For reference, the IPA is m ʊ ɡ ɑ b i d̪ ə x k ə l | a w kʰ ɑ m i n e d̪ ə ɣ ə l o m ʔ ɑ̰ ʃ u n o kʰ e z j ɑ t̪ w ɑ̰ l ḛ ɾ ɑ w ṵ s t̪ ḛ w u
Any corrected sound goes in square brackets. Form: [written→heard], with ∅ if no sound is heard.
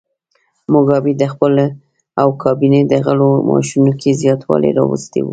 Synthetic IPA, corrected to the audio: m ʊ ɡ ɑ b i d̪ ə x [k→p] ə l | a w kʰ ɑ [m→b] i n e d̪ ə ɣ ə l o m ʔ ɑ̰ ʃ u n o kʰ e z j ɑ t̪ w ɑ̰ l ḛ ɾ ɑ w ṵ s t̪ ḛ w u